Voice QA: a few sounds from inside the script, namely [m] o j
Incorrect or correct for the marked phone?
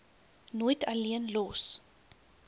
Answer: incorrect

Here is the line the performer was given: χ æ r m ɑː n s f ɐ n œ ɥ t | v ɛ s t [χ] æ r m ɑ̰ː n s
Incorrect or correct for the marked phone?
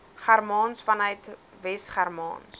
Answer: correct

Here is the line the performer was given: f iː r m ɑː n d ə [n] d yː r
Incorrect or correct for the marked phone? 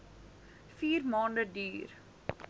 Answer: incorrect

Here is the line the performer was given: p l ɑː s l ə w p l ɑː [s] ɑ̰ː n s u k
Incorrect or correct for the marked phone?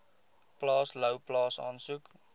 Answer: correct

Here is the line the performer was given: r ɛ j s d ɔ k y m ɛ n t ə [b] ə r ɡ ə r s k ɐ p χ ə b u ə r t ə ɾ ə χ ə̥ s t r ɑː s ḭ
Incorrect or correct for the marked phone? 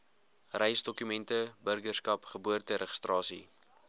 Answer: correct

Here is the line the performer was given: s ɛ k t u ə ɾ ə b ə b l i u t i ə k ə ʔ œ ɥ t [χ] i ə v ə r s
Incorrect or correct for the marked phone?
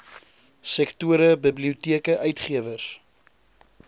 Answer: correct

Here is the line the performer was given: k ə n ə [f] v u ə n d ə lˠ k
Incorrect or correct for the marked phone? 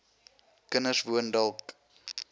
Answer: incorrect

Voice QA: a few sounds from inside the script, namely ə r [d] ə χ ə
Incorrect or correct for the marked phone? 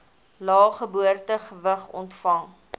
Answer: incorrect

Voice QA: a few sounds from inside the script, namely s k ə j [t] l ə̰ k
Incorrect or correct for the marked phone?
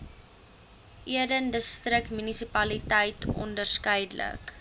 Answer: incorrect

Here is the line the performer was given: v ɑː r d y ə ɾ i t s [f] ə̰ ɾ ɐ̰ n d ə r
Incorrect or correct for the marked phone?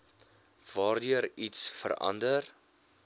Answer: correct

